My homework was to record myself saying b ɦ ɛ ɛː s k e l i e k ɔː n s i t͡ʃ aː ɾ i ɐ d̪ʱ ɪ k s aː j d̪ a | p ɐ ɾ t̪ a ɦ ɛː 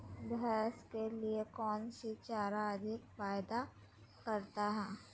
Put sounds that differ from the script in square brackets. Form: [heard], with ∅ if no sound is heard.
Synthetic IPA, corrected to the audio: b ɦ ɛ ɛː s k e l i e k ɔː n s i t͡ʃ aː ɾ [a] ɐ d̪ʱ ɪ k [f] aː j d̪ a | [k] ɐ ɾ t̪ a ɦ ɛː